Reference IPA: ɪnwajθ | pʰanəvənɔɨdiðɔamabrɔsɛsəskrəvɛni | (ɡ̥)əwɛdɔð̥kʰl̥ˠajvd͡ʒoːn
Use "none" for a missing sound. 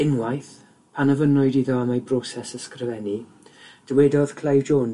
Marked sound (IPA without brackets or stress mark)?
d̥